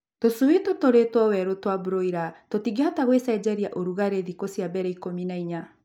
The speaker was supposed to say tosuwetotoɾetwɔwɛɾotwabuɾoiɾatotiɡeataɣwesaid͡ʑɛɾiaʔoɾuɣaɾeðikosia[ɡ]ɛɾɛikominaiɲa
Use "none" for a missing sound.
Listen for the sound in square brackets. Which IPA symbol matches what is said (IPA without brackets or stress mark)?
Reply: b